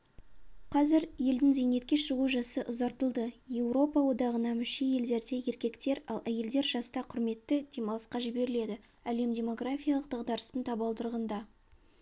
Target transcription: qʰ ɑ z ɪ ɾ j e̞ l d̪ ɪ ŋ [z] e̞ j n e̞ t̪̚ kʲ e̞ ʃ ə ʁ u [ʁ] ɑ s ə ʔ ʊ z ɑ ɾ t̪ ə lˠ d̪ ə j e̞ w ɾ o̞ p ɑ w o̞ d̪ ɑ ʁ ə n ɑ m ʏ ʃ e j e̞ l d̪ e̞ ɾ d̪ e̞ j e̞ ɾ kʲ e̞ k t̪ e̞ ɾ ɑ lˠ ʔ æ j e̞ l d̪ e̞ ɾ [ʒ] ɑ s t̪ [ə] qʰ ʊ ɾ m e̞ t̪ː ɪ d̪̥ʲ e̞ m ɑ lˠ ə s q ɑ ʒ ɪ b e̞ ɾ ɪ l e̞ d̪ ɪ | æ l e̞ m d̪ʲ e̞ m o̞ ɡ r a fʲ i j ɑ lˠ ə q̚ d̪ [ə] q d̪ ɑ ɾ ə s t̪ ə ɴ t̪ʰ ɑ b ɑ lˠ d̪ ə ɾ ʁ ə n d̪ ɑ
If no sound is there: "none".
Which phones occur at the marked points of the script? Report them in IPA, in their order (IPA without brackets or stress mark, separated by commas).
z, ʒ, ʒ, ɑ, ɑ